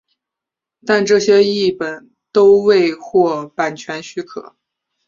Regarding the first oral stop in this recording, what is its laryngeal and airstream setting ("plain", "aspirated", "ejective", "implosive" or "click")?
plain